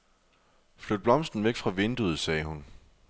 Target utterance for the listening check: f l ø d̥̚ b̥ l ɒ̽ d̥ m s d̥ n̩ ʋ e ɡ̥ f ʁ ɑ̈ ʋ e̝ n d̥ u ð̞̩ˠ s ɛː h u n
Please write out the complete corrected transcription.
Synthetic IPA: f l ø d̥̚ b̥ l ɒ̽ m s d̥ n̩ ʋ e ɡ̥ f ʁ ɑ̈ ʋ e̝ n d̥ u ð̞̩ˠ s ɛː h u n